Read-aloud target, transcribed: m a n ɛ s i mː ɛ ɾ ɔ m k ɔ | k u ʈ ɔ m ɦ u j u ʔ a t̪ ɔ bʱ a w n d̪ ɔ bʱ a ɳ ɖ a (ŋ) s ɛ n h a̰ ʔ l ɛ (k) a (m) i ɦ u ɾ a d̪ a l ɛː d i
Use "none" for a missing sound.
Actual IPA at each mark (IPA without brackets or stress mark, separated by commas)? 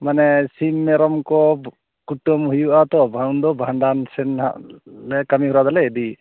n, k, m